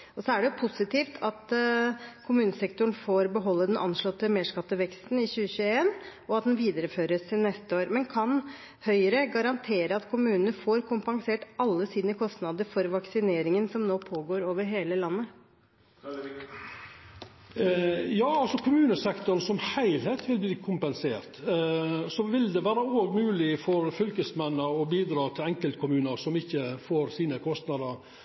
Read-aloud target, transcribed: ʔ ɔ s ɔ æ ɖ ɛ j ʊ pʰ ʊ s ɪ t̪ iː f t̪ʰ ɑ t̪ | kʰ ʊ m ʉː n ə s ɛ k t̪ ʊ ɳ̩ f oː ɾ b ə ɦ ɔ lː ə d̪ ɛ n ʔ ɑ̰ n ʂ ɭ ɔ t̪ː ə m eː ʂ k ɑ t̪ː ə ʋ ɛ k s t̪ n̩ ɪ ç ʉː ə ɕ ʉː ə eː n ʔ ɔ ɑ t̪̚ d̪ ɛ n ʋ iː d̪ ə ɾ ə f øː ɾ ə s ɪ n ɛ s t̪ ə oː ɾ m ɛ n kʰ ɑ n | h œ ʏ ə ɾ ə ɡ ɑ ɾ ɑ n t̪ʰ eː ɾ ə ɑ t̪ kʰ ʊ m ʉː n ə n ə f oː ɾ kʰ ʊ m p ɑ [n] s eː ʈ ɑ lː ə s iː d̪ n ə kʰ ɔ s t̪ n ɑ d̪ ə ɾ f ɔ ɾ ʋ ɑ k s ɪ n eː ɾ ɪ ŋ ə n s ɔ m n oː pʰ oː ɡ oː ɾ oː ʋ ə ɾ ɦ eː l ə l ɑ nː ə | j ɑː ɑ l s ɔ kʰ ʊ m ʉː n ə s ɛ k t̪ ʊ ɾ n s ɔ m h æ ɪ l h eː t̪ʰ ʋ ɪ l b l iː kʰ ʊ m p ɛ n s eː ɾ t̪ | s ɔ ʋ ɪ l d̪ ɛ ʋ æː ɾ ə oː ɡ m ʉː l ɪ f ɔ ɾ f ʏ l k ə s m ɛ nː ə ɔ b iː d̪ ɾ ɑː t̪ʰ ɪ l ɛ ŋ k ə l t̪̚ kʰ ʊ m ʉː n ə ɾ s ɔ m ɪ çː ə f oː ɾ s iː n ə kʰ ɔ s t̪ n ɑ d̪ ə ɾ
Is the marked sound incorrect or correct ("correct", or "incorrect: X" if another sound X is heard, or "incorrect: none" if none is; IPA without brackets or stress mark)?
incorrect: ŋ